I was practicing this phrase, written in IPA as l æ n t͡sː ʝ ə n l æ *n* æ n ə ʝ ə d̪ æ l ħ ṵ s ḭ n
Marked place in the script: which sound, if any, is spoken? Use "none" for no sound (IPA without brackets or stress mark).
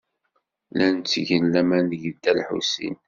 m